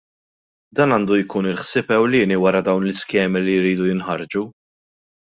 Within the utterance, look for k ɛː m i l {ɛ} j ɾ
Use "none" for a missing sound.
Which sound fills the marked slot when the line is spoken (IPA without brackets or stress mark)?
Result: i